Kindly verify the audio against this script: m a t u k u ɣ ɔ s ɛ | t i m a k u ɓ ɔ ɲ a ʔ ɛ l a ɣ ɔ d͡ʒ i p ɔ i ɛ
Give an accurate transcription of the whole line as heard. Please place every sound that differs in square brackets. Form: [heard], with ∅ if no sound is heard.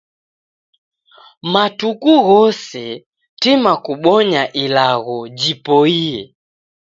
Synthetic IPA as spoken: m a t u k u ɣ ɔ s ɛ | t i m a k u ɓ ɔ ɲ a ʔ [i] l a ɣ ɔ d͡ʒ i p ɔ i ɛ